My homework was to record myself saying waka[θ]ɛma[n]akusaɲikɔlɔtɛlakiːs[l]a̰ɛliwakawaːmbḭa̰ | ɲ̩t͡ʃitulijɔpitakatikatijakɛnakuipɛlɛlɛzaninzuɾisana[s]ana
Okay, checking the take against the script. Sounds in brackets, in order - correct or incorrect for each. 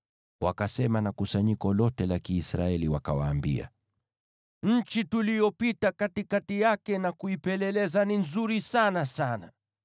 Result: incorrect: s, correct, incorrect: ɾ, correct

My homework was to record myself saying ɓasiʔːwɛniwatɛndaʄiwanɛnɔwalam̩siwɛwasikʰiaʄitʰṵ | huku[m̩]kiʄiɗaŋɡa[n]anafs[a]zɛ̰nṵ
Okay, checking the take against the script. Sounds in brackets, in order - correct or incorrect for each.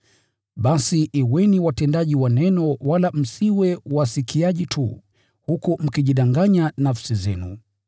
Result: correct, incorrect: ɲ, incorrect: i

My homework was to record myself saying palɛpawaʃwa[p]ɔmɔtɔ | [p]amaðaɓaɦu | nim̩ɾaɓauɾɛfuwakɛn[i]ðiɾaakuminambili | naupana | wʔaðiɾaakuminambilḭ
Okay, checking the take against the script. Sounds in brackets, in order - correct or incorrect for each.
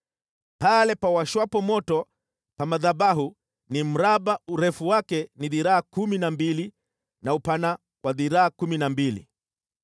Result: correct, correct, correct

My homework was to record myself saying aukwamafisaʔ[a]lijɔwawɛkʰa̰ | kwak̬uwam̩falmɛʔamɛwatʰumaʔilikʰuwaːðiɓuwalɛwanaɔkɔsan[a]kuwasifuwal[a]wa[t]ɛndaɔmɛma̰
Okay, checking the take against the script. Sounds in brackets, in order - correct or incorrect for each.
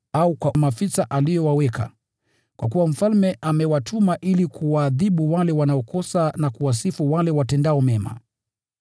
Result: correct, correct, incorrect: ɛ, correct

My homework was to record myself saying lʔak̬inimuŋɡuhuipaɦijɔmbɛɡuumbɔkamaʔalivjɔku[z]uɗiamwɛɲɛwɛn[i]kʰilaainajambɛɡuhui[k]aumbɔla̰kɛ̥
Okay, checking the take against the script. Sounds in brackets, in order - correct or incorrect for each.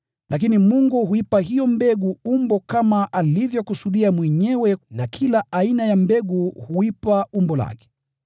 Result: incorrect: s, incorrect: a, incorrect: p

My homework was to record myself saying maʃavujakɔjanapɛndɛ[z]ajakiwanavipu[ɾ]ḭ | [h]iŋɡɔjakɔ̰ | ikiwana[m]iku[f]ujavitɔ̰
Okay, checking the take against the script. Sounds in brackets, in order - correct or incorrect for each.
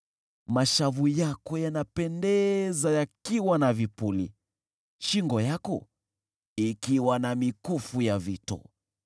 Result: correct, incorrect: l, incorrect: ʃ, correct, correct

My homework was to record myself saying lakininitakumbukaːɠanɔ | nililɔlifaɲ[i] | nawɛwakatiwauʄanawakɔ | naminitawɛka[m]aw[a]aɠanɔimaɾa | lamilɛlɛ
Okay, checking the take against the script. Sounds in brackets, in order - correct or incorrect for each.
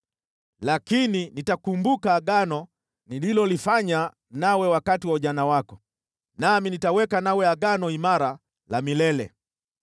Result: incorrect: a, incorrect: n, incorrect: ɛ

